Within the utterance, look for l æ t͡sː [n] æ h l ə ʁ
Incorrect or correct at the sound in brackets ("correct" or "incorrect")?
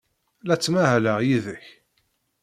incorrect